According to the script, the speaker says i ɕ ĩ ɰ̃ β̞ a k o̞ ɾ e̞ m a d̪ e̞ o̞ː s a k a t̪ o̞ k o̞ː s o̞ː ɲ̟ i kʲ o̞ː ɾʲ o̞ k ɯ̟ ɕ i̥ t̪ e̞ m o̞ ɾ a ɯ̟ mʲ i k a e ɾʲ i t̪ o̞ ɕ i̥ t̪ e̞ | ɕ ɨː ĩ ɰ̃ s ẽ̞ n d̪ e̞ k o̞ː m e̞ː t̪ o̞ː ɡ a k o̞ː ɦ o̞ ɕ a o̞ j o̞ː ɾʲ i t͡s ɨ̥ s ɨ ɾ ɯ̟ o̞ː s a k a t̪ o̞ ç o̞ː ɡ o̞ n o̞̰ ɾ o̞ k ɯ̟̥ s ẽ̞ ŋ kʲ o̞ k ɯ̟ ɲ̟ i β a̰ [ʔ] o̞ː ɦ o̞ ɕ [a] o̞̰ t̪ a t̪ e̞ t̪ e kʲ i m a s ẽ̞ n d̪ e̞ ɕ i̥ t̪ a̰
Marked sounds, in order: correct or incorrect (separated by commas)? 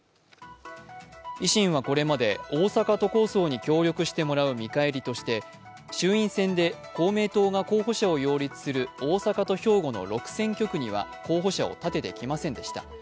incorrect, correct